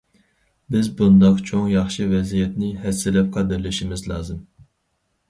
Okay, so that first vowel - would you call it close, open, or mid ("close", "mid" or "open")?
close